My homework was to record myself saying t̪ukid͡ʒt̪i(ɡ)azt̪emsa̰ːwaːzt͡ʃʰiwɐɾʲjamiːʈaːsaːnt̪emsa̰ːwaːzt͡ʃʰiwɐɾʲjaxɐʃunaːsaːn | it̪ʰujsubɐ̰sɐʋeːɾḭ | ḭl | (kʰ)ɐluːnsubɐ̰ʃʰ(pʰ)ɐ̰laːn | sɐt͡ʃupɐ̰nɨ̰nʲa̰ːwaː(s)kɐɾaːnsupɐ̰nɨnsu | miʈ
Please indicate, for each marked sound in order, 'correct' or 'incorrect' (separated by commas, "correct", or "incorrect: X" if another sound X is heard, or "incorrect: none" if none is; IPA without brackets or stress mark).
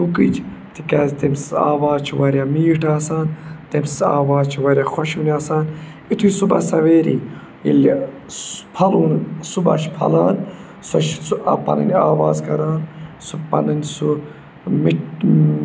incorrect: k, incorrect: pʰ, correct, incorrect: z